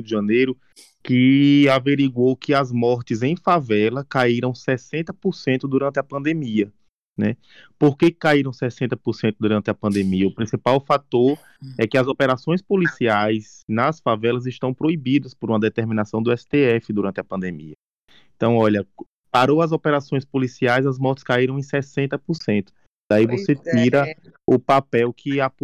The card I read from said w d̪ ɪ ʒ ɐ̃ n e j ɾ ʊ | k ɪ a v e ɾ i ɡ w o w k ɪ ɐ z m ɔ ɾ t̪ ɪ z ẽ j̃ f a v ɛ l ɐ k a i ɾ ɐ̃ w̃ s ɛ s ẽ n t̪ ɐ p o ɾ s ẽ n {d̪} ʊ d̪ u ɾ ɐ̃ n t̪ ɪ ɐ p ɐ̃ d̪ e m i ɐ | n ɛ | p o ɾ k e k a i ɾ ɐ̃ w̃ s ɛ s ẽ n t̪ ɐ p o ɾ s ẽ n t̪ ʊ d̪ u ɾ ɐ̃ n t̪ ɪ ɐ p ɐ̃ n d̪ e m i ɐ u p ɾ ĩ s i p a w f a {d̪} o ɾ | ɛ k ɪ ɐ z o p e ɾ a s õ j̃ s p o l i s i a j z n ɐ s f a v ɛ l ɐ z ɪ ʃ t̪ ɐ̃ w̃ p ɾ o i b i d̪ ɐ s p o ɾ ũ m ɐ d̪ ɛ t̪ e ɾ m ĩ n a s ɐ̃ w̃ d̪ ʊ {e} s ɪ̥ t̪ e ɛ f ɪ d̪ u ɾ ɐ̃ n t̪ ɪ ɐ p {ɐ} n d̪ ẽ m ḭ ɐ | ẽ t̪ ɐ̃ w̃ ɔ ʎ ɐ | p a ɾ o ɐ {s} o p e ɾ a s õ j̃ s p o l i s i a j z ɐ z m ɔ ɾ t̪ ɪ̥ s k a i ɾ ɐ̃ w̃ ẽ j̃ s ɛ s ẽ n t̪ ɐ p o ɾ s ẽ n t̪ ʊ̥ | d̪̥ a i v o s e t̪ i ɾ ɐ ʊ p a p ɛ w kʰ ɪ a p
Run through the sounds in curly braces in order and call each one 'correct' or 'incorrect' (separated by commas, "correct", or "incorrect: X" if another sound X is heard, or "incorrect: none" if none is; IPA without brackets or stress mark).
incorrect: t̪, incorrect: t̪, incorrect: ɛ, incorrect: ɐ̃, incorrect: z